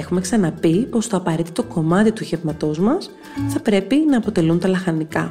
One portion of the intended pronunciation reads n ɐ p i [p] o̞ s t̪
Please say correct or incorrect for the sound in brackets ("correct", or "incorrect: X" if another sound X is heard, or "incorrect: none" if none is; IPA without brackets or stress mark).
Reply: correct